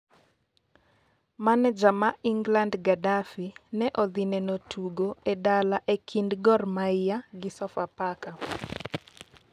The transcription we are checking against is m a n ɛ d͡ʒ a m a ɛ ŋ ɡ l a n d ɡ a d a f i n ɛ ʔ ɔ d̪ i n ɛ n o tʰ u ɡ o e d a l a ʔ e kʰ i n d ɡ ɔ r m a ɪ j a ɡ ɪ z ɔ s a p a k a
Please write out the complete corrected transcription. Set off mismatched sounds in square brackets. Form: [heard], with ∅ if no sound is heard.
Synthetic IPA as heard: m a n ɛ d͡ʒ a m a [i] ŋ ɡ l a n d ɡ a d a f i n ɛ ʔ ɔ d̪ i n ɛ n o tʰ u ɡ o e d a l a ʔ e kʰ i n d ɡ ɔ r m a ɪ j a ɡ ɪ [s] ɔ [f] a p a k a

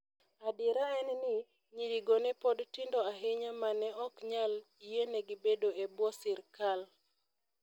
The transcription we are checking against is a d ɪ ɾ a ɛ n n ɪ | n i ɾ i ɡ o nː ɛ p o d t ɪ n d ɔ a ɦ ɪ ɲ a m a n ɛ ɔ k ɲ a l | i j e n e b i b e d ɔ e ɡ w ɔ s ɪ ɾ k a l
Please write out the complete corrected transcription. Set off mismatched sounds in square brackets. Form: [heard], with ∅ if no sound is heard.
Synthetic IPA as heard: a d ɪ ɾ a ɛ n n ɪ | [ɲ] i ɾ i ɡ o [n] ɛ p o d t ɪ n d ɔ a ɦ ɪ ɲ a m a n ɛ ɔ k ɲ a l | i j e n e [ɡ] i b e d [o] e [b] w ɔ s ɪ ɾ k a l

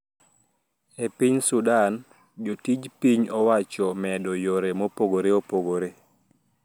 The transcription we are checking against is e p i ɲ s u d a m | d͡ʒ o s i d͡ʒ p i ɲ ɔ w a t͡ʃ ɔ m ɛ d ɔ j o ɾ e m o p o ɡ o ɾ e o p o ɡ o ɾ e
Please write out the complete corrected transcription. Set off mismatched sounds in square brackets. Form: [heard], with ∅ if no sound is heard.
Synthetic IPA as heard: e p i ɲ s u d a [n] | d͡ʒ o [t] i d͡ʒ p i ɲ ɔ w a t͡ʃ ɔ m ɛ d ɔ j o ɾ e m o p o ɡ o ɾ e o p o ɡ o ɾ e

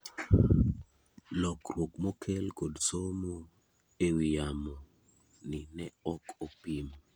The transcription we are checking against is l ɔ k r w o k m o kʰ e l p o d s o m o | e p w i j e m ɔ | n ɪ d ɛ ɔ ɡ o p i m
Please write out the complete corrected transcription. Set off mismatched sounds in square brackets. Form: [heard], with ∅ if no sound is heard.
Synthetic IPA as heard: l ɔ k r w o k m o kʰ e l [k] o d s o m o | e [∅] w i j [a] m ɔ | n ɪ [n] ɛ ɔ [k] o p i m

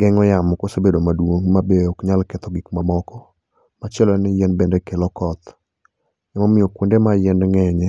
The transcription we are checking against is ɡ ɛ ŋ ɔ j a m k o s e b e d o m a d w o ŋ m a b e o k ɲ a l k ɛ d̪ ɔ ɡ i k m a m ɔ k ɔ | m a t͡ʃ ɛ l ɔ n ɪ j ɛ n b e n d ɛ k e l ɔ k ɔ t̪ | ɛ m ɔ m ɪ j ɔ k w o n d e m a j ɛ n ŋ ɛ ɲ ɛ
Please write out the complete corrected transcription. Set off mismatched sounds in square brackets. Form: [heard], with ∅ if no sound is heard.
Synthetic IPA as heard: ɡ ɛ ŋ ɔ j a m k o s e b e d o m a d w o ŋ m a b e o k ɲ a l k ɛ [t̪] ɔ ɡ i k m a m ɔ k ɔ | m a t͡ʃ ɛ l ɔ n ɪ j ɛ n b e n d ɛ k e l ɔ k ɔ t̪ | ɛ m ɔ m ɪ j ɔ k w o n d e m a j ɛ n ŋ ɛ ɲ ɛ

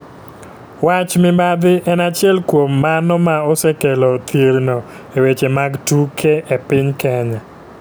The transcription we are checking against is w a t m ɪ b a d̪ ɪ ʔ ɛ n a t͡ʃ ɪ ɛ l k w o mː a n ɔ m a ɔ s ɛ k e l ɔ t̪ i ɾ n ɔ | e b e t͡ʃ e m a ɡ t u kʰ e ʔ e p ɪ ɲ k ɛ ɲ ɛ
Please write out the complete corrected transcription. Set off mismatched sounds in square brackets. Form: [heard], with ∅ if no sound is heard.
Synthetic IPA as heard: w a [t͡ʃ] m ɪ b a d̪ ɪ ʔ ɛ n a t͡ʃ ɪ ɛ l k w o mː a n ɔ m a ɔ s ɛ k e l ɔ t̪ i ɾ n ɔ | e [w] e t͡ʃ e m a ɡ t u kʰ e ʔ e p ɪ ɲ k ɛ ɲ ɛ

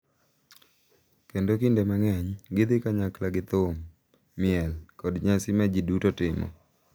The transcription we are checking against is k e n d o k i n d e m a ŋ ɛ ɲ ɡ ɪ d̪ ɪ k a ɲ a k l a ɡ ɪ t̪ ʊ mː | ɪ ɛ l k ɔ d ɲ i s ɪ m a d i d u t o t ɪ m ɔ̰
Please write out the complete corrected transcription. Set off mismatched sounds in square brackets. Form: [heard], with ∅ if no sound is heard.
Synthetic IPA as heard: k e n d o k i n d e m a ŋ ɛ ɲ ɡ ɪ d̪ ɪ k a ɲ a k l a ɡ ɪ t̪ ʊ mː | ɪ ɛ l k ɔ d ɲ [a] s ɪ m a [d͡ʒ] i d u t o t ɪ m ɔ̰

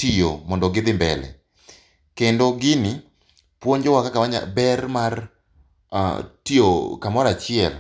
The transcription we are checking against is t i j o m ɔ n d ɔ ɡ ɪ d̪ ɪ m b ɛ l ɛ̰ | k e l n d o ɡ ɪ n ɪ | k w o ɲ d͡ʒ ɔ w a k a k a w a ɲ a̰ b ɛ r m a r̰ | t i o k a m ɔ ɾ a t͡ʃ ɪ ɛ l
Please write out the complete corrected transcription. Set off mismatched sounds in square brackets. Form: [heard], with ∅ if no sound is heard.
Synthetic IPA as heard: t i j o m ɔ n d ɔ ɡ ɪ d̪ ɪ m b ɛ l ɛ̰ | k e [∅] n d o ɡ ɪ n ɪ | [p] w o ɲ d͡ʒ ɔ w a k a k a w a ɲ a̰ b ɛ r m a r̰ | t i o k a m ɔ ɾ a t͡ʃ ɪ ɛ l

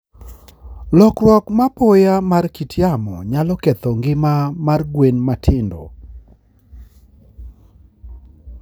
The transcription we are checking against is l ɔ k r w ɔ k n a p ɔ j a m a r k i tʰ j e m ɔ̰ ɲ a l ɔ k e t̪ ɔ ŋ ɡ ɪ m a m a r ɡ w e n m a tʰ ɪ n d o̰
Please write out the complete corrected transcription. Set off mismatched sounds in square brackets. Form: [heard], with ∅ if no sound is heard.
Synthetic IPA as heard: l ɔ k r w ɔ k [m] a p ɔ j a m a r k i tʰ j [a] m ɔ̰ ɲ a l ɔ k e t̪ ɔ ŋ ɡ ɪ m a m a r ɡ w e n m a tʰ ɪ n d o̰

